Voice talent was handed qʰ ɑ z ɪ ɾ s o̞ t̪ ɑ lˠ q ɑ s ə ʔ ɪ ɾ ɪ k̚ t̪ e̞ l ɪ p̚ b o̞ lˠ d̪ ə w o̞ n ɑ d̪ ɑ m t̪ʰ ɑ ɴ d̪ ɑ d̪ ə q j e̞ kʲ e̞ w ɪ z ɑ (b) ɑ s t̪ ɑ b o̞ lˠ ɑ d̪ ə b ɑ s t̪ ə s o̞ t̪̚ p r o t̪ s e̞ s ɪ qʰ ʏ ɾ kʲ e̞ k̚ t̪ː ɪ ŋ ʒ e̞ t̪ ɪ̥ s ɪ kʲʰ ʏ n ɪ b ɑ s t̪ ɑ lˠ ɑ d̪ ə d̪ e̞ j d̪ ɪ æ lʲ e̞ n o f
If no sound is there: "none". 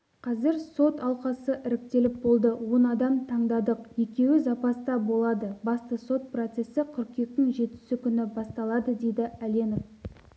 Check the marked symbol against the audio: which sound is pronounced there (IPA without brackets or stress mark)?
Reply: p